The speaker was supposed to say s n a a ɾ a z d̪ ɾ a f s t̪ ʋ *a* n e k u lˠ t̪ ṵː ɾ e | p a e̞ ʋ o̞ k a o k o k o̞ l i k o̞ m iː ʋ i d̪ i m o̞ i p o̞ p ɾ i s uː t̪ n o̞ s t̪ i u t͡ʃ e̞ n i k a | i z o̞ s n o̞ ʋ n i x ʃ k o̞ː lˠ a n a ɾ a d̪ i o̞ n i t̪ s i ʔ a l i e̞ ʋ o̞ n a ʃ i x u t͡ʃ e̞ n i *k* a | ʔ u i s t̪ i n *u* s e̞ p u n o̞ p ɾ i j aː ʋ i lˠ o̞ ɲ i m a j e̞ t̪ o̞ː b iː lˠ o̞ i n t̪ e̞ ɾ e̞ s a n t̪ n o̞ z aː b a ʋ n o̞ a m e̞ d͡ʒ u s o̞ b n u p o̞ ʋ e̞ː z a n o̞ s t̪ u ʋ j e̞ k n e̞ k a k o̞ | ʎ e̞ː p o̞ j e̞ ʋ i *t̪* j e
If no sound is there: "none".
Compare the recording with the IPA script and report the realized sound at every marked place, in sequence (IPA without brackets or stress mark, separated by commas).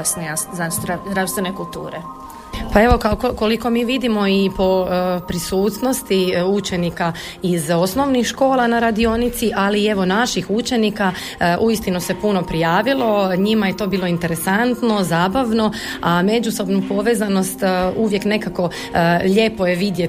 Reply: e, k, u, d̪